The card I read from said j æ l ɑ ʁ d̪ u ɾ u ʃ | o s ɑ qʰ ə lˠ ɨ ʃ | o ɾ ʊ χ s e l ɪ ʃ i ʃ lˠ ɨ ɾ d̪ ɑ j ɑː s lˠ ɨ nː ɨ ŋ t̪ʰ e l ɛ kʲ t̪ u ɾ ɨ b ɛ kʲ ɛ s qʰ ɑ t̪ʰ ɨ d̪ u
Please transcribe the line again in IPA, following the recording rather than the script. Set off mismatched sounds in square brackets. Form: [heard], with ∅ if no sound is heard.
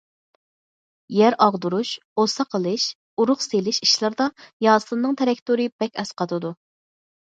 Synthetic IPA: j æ [ɾ] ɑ ʁ d̪ u ɾ u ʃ | o s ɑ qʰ ə lˠ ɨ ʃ | [u] ɾ ʊ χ s e l ɪ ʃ i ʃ lˠ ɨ ɾ d̪ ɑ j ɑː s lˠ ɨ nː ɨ ŋ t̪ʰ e [ɾ] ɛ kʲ t̪ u ɾ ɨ b ɛ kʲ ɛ s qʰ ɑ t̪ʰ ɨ d̪ u

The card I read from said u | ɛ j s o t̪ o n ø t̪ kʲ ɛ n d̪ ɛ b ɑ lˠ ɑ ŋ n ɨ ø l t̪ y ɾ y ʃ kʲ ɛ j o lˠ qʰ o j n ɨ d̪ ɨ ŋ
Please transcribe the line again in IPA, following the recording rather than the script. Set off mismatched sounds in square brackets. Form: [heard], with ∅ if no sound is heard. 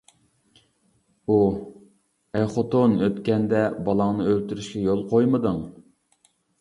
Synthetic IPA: u | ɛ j [χ] o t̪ o n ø t̪ kʲ ɛ n d̪ ɛ b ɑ lˠ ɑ ŋ n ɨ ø l t̪ y ɾ y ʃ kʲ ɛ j o lˠ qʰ o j [m] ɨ d̪ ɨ ŋ

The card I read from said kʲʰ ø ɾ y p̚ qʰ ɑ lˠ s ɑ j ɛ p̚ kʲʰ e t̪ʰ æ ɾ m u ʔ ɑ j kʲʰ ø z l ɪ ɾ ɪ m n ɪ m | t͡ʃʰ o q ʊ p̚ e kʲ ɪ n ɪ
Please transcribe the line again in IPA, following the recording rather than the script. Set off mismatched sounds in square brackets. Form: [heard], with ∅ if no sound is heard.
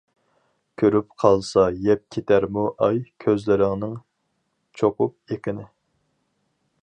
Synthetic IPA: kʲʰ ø ɾ y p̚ qʰ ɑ lˠ s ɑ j ɛ p̚ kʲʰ e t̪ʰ æ ɾ m u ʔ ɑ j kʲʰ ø z l ɪ ɾ ɪ [ŋ] n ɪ [ŋ] | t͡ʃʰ o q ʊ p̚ e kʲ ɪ n ɪ

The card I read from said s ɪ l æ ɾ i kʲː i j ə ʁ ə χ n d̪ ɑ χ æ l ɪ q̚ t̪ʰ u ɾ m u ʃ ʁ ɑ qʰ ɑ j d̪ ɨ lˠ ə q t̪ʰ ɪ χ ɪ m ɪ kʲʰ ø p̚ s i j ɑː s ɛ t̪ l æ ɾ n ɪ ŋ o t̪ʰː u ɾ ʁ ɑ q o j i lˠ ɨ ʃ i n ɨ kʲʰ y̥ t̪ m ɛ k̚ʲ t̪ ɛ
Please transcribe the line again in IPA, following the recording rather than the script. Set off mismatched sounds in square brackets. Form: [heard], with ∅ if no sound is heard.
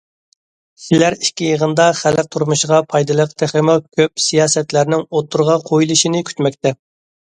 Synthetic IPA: s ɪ l æ ɾ i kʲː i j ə ʁ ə [∅] n d̪ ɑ χ æ l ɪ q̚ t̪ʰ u ɾ m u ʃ ʁ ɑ [pʰ] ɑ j d̪ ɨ lˠ ə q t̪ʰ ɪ χ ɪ m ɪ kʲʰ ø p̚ s i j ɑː s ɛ t̪ l æ ɾ n ɪ ŋ o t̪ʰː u ɾ ʁ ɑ [qʰ] o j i lˠ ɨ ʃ i n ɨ kʲʰ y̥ t̪ m ɛ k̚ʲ t̪ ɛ

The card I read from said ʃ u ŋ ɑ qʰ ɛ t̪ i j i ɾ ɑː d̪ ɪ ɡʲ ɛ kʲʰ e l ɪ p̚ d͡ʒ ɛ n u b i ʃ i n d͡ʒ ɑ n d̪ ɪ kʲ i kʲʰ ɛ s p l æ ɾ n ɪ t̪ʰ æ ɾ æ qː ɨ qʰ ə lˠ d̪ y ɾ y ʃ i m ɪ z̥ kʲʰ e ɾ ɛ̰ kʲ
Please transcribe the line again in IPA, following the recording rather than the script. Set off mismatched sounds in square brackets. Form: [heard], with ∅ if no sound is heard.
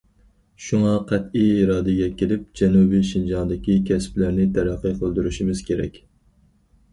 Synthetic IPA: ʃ u ŋ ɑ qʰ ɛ t̪ i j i ɾ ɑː d̪ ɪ ɡʲ ɛ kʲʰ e l ɪ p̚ d͡ʒ ɛ n u b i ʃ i n d͡ʒ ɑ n d̪ ɪ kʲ i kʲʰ ɛ s p l æ ɾ n ɪ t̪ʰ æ ɾ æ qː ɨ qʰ ə lˠ d̪ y ɾ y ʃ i m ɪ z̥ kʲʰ e ɾ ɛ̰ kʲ

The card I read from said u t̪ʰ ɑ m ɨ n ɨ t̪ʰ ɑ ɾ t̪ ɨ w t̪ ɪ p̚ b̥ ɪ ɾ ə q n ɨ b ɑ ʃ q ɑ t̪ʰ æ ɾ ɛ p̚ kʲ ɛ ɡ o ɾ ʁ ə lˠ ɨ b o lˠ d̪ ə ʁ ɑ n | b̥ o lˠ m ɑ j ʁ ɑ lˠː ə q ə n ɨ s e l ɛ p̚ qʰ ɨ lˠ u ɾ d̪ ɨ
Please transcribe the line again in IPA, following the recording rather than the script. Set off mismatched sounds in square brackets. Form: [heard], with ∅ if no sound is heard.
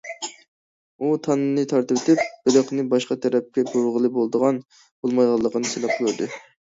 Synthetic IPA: u t̪ʰ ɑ [n] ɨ n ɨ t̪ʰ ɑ ɾ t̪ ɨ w t̪ ɪ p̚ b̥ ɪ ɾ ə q n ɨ b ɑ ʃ q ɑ t̪ʰ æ ɾ ɛ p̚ kʲ ɛ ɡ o ɾ ʁ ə lˠ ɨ b o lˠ d̪ ə ʁ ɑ n | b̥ o lˠ m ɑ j ʁ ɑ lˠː ə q ə n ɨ s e l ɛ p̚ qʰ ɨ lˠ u ɾ d̪ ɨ

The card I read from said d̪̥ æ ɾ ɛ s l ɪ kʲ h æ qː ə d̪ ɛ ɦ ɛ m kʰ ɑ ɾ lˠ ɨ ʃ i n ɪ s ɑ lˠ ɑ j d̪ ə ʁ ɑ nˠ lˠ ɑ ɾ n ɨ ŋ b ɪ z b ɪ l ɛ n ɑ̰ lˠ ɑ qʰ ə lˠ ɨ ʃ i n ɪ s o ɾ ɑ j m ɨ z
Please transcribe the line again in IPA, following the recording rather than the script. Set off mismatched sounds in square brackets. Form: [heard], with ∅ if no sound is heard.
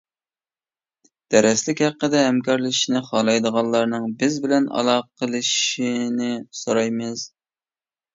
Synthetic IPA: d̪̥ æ ɾ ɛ s l ɪ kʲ h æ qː ə d̪ ɛ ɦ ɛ m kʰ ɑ ɾ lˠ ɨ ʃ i n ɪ [χ] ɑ lˠ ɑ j d̪ ə ʁ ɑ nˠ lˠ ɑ ɾ n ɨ ŋ b ɪ z b ɪ l ɛ n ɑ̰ lˠ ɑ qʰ ə lˠ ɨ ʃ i n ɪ s o ɾ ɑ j m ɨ z

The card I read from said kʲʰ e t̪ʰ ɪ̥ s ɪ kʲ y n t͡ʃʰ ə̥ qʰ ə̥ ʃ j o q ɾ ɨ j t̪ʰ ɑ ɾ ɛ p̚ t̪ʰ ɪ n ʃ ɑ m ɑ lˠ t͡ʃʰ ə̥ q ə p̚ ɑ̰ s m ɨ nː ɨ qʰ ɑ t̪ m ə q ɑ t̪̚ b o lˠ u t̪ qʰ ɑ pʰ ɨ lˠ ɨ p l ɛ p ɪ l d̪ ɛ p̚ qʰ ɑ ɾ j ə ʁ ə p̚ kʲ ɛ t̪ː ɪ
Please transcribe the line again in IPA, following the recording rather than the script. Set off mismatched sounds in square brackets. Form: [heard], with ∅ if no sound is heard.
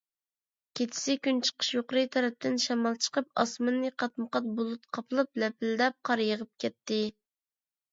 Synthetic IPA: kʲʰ e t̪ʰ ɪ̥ s ɪ kʲ y n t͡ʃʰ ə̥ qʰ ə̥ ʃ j o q ɾ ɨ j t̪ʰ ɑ ɾ ɛ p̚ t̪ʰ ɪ n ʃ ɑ m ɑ lˠ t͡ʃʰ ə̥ q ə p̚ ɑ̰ s m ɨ nː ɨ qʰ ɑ t̪ m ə q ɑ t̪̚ b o lˠ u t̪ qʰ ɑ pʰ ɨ lˠ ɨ p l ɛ p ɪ l d̪ ɛ p̚ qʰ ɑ ɾ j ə ʁ ə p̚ kʲ ɛ t̪ː ɪ

